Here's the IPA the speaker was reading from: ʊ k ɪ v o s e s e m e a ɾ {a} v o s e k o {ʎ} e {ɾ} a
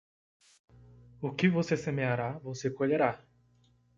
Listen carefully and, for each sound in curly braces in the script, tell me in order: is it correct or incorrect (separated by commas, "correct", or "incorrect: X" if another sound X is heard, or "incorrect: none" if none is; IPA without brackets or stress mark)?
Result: correct, correct, correct